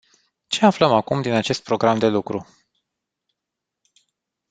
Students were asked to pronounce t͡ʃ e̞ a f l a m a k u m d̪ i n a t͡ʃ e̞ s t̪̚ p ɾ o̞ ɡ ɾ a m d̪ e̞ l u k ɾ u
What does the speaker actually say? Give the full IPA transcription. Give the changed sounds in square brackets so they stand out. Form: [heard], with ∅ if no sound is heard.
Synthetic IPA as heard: t͡ʃ e̞ a f l [ə] m a k u m d̪ i n a t͡ʃ e̞ s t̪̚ p ɾ o̞ ɡ ɾ a m d̪ e̞ l u k ɾ u